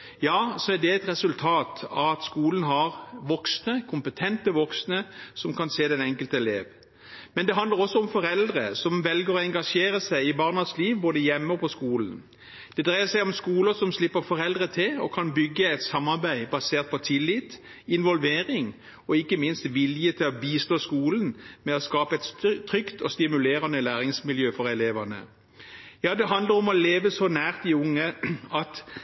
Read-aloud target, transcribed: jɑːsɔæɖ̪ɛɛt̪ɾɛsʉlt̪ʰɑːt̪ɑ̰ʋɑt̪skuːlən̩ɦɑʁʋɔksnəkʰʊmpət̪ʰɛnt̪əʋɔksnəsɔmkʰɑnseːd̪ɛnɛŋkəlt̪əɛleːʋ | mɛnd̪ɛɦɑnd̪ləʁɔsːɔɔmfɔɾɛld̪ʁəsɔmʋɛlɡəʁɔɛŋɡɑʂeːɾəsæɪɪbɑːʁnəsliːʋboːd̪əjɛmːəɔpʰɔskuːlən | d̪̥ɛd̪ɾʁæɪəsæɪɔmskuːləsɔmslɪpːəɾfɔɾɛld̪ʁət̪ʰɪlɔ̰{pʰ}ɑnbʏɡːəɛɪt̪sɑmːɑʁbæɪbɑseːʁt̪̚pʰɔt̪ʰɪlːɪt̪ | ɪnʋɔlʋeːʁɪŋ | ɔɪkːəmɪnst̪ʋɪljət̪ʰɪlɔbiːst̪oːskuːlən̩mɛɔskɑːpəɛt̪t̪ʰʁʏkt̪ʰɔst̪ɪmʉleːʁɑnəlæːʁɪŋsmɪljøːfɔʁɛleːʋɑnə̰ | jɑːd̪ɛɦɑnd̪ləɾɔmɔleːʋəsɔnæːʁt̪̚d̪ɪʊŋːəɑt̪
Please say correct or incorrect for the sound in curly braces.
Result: incorrect: kʰ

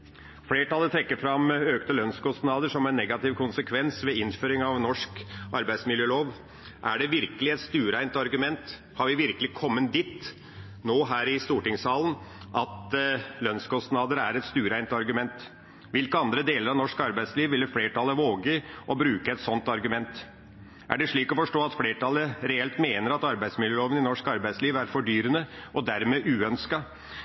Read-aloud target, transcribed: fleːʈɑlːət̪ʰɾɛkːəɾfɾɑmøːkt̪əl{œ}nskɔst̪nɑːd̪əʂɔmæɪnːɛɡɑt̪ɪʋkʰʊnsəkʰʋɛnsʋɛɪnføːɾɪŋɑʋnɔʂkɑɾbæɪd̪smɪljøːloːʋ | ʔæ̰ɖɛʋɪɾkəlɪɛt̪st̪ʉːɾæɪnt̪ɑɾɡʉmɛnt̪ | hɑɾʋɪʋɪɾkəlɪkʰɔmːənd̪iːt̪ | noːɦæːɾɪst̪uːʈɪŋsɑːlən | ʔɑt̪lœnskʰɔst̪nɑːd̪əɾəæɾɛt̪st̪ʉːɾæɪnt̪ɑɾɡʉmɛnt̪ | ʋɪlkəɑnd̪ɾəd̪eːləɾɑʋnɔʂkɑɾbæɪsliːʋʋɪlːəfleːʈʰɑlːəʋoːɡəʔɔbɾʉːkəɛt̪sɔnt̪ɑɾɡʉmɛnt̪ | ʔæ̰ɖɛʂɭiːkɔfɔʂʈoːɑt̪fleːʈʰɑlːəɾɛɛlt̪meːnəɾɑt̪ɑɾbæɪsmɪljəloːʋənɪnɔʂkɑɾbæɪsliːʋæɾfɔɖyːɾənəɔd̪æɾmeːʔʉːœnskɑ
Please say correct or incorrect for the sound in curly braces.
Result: correct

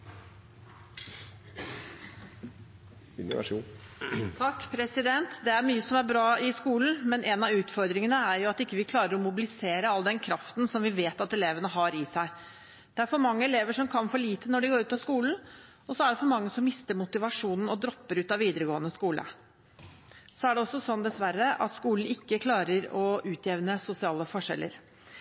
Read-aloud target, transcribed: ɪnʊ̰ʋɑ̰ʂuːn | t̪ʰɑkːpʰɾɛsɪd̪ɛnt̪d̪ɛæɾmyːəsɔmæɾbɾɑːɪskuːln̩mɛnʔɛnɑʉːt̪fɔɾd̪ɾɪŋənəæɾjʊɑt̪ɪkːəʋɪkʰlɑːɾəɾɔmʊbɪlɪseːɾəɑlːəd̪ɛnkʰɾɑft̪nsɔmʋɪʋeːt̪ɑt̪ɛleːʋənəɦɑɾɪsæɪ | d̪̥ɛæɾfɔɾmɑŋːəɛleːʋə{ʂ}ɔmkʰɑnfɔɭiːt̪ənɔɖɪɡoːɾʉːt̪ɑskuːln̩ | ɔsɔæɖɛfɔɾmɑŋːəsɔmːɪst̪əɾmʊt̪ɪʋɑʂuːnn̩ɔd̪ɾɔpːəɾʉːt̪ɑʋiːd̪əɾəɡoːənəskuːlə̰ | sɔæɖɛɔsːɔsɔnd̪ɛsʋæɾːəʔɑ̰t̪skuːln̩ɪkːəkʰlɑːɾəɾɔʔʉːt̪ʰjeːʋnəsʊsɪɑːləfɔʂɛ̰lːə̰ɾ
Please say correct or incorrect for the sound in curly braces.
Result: correct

